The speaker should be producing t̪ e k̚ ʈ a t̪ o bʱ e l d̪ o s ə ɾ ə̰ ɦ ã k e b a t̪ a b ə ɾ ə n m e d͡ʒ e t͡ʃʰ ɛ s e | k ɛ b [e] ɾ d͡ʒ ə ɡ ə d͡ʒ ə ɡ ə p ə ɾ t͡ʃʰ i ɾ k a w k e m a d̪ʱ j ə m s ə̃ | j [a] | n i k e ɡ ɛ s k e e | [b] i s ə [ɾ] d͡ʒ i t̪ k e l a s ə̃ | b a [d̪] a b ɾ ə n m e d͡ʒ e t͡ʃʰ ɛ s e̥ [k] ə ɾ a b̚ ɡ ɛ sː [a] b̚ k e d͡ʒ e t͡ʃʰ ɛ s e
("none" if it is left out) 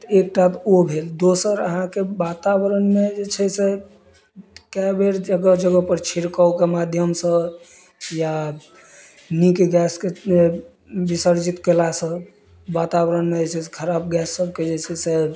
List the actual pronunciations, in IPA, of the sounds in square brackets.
e, a, b, ɾ, t̪, kʰ, ə

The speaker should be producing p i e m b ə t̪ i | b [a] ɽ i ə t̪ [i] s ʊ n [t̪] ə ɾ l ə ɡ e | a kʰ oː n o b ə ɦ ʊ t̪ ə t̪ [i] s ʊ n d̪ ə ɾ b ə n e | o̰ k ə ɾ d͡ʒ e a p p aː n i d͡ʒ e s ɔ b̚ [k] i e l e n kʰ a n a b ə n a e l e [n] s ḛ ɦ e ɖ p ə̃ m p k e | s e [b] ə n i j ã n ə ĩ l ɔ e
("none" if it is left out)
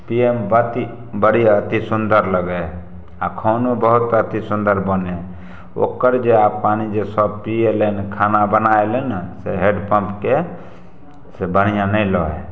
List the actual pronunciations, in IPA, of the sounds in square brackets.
ə, i, d̪, i, p, n, b

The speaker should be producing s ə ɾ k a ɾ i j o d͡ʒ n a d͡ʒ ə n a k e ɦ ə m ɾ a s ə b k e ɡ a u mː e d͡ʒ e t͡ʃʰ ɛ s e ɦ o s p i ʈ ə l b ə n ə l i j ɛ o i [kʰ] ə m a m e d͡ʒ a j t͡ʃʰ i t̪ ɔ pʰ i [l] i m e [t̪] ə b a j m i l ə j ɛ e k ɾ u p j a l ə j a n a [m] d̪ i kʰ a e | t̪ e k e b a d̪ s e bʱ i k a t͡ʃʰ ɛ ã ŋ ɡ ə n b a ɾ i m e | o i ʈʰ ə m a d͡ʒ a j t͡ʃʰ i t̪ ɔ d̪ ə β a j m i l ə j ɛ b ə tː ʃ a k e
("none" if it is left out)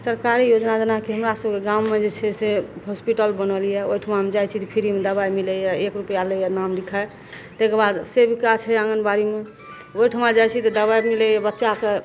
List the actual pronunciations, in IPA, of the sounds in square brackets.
ʈʰ, ɾ, d̪, m

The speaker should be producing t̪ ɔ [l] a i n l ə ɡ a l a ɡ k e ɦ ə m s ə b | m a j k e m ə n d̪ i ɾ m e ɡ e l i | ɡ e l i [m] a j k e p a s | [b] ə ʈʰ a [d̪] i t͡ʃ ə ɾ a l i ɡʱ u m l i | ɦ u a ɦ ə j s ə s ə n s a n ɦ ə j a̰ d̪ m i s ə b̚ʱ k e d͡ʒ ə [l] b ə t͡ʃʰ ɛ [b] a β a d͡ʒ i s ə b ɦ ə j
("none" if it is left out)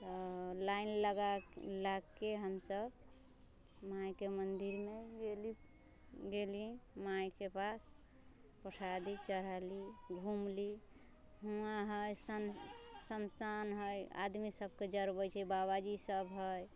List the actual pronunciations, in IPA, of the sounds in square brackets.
l, m, p, d̪, ɾ, b

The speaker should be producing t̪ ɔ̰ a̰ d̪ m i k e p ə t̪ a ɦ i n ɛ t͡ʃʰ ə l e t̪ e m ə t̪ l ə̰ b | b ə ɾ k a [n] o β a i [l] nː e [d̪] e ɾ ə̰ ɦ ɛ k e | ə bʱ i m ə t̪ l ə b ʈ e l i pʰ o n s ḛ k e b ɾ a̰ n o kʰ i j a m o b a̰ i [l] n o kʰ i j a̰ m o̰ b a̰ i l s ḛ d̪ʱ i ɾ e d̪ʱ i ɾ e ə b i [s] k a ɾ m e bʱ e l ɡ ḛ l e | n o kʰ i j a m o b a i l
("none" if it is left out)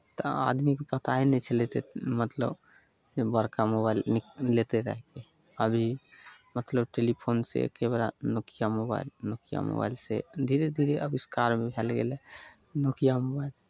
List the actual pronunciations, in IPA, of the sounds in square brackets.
m, l, t̪, l, s

